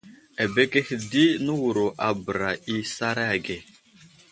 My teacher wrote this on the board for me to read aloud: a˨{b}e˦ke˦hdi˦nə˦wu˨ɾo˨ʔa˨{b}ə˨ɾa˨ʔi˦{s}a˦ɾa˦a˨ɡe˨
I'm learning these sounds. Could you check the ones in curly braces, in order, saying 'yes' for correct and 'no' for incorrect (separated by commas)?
yes, yes, yes